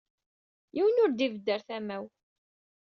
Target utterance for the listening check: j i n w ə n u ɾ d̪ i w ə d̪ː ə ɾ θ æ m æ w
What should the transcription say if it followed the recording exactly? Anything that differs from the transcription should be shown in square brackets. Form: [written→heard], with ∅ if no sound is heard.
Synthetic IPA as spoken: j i [n→∅] w ə n [u→ʊ] ɾ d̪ i [w→v] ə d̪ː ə ɾ θ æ m æ w